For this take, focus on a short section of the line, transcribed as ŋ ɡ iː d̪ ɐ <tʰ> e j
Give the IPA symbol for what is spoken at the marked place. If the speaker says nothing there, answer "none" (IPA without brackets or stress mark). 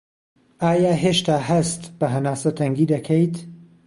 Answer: kʰ